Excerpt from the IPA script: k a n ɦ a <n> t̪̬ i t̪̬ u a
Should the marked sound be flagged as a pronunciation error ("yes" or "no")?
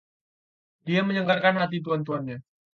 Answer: yes